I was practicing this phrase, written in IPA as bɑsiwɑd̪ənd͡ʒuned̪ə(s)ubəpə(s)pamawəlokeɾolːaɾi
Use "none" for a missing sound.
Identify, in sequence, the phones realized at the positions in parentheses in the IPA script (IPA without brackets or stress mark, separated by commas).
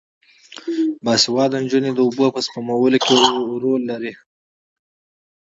none, s